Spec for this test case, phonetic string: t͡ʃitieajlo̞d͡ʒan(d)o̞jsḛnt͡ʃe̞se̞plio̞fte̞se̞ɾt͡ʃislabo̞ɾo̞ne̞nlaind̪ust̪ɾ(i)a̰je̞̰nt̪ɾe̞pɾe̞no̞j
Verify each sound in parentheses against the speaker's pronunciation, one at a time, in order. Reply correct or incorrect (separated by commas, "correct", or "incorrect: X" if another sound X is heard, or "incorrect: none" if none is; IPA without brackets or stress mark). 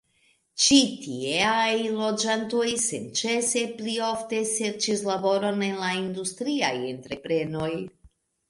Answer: incorrect: t, correct